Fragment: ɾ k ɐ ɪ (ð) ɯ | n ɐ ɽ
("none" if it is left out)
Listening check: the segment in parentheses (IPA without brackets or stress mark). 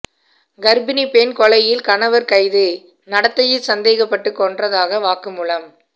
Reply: ð